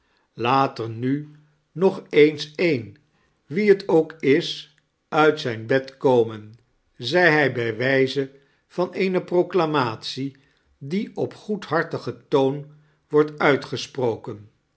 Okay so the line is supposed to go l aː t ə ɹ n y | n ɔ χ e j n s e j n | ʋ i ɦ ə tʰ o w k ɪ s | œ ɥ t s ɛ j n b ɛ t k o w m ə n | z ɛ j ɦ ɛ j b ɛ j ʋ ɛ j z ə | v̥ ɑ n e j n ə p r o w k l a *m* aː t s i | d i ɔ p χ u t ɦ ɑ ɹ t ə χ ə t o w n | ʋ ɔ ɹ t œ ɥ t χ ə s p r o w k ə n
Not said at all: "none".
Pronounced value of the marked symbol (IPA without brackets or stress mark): m